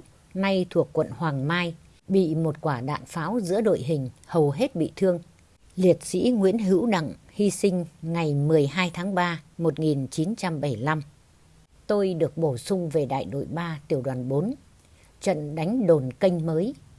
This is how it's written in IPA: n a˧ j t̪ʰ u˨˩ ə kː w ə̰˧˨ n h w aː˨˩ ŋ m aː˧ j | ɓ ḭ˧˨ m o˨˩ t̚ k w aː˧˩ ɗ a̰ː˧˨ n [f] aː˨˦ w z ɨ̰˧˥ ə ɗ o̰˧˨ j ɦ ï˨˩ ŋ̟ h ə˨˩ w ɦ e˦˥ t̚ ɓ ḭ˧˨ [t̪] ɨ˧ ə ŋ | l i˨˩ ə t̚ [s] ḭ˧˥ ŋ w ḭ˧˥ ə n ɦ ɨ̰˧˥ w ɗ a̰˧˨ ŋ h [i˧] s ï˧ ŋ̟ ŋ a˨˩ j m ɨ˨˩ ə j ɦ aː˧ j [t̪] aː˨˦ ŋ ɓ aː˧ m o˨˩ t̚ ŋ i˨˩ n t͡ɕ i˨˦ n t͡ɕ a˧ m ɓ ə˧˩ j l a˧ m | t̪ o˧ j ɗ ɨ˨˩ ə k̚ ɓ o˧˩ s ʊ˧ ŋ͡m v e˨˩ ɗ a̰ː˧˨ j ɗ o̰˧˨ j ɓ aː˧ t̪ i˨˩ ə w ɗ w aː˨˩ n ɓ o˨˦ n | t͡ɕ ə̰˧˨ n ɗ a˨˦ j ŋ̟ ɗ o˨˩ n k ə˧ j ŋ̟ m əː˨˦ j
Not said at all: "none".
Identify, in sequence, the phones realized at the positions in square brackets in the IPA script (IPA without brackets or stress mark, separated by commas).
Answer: f, t̪ʰ, s, i˧, t̪ʰ